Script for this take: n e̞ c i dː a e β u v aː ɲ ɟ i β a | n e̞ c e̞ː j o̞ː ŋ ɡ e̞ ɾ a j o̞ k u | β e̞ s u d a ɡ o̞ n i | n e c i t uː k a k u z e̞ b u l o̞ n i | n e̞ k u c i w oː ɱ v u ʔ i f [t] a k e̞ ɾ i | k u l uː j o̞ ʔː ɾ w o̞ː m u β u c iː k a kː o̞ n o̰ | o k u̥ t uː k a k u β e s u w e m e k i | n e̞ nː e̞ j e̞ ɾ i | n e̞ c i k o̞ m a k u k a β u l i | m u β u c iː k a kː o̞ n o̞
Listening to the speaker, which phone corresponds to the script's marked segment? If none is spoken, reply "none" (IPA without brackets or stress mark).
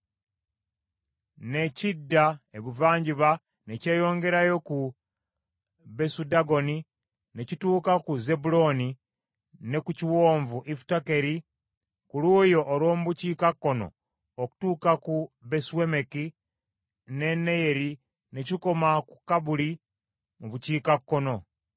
t